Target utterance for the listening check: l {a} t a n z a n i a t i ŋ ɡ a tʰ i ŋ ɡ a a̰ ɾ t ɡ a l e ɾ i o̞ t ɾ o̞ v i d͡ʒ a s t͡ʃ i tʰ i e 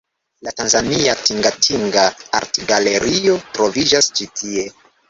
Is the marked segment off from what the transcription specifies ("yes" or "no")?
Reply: no